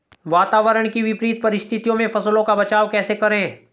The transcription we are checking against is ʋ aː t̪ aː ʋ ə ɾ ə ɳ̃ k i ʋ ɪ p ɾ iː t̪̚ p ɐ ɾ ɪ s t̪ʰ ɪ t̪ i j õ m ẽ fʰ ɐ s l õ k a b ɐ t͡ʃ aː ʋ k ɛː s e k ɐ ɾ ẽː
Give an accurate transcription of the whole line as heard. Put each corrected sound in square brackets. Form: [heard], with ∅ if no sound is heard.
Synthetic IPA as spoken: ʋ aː t̪ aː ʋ ə ɾ ə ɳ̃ k i ʋ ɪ p ɾ iː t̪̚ p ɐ ɾ ɪ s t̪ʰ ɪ t̪ i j õ m ẽ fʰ ɐ s l õ k a b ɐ t͡ʃ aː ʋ k ɛː s e k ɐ ɾ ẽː